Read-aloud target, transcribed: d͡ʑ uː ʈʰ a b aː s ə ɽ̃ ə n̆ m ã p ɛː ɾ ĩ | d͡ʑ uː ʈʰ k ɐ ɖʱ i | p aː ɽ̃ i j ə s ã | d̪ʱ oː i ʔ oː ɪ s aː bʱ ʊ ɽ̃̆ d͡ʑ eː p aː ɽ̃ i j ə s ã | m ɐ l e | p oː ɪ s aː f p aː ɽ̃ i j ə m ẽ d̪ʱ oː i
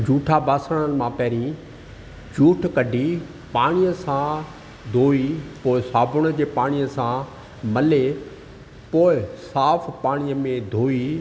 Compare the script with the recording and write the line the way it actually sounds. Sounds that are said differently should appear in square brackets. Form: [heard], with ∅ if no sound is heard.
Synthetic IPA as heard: d͡ʑ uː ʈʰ a b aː s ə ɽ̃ ə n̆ m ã p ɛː ɾ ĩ | d͡ʑ uː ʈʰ k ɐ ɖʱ i | p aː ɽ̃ i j ə s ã | d̪ʱ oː i [p] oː ɪ s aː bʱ ʊ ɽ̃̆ d͡ʑ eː p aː ɽ̃ i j ə s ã | m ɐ l e | p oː ɪ s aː f p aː ɽ̃ i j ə m ẽ d̪ʱ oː i